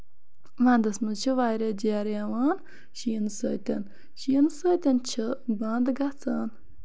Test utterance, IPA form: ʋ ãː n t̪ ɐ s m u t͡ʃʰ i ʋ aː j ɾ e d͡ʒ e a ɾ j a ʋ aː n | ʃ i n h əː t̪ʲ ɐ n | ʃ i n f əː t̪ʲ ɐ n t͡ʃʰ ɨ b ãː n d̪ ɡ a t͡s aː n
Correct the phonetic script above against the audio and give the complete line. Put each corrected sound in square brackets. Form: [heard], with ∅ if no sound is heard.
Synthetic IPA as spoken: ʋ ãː n [d̪] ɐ s m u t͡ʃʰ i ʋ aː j ɾ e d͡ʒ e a ɾ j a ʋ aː n | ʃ i n [s] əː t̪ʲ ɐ n | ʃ i n [s] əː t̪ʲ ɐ n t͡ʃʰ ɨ b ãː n d̪ ɡ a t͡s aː n